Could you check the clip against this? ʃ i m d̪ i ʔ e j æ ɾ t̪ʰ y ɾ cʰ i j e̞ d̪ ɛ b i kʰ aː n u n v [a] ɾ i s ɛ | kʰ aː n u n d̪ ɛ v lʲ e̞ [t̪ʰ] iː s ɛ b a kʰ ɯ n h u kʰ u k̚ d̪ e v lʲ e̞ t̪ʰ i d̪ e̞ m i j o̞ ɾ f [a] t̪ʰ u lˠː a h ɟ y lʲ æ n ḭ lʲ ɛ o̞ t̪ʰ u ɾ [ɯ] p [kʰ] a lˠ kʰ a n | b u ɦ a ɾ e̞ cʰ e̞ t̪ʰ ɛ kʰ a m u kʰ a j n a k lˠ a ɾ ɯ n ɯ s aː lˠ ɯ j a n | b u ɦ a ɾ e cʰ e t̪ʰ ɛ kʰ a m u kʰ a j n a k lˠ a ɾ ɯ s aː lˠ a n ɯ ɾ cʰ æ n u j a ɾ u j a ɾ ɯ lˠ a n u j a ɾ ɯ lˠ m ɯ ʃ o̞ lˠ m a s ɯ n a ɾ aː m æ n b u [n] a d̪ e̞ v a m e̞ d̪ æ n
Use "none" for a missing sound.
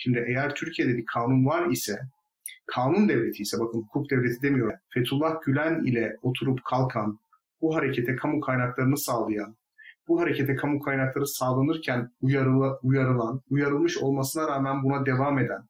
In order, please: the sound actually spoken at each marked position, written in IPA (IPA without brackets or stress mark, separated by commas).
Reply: a, t̪ʰ, e, u, kʰ, n